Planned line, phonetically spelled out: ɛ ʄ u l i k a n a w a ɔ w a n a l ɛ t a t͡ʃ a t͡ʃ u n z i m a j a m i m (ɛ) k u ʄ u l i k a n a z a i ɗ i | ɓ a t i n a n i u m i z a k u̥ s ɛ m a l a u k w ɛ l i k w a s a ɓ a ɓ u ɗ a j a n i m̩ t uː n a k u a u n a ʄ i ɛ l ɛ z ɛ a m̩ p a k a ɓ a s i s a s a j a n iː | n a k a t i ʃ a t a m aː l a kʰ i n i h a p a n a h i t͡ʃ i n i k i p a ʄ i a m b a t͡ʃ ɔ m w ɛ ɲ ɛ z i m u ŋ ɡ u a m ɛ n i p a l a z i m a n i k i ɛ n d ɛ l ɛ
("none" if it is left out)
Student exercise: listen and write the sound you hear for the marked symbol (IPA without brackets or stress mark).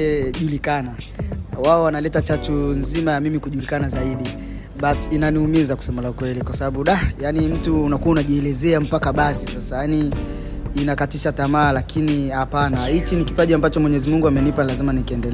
i